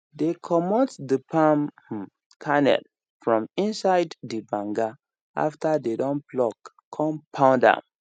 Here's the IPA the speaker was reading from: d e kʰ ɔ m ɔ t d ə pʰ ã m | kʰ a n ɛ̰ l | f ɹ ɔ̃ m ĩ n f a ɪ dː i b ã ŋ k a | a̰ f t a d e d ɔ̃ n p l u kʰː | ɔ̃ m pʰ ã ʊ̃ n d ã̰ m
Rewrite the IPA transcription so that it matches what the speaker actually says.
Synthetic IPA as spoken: d e kʰ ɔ m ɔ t d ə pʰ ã m | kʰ a n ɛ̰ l | f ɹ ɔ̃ m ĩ n s a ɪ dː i b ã ŋ ɡ a | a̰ f t a d e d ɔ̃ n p l ɔ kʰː | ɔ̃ m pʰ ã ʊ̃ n d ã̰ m